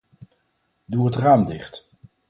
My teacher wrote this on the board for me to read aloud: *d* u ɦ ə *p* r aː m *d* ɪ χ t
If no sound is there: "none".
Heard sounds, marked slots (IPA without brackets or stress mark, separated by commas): d, t, d